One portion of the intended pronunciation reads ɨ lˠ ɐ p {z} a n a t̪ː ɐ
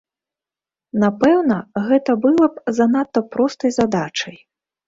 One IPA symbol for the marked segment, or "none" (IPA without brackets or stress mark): z